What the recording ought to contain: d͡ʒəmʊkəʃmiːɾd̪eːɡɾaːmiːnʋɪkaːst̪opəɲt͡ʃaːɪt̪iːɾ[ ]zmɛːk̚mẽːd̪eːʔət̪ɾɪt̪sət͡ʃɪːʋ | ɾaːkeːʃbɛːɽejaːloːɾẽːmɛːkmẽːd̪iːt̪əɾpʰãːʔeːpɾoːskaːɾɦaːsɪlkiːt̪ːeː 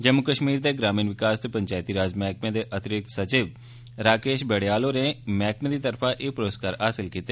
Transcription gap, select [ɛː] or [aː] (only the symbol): aː